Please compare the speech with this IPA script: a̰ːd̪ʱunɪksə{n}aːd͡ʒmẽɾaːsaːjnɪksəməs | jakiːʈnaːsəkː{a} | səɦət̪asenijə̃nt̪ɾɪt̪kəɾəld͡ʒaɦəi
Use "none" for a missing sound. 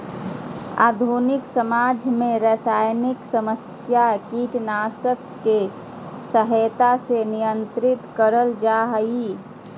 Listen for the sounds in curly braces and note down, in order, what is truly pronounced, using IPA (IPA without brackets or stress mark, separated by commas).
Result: m, e